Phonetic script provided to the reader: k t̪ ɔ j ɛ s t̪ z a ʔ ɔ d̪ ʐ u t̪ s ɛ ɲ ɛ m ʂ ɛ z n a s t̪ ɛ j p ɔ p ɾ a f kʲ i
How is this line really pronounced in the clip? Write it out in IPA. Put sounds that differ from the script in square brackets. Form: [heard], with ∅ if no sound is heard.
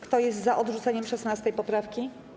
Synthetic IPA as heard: k t̪ ɔ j ɛ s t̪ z a ʔ ɔ d̪ ʐ u t̪ s ɛ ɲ ɛ m ʂ ɛ [s] n a s t̪ ɛ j p ɔ p ɾ a f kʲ i